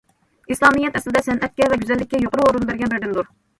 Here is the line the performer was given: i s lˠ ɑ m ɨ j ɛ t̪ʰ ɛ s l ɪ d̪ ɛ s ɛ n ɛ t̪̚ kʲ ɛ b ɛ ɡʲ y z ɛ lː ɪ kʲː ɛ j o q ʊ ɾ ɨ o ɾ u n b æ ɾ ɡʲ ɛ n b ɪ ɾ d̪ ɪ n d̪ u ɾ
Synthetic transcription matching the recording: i s lˠ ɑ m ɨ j ɛ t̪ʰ ɛ s l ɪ d̪ ɛ s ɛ n ɛ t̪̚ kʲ ɛ v ɛ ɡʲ y z ɛ lː ɪ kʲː ɛ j o q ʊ ɾ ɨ o ɾ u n b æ ɾ ɡʲ ɛ n b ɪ ɾ d̪ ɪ n d̪ u ɾ